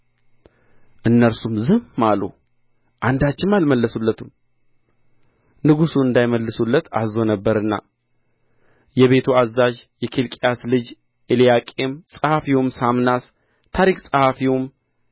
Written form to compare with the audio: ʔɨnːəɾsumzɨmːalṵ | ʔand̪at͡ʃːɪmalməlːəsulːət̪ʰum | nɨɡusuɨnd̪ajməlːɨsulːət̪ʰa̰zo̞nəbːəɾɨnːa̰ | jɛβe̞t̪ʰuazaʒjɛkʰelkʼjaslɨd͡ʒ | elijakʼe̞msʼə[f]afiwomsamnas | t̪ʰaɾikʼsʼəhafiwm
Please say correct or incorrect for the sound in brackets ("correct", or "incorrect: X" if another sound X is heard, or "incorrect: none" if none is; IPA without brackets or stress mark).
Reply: incorrect: h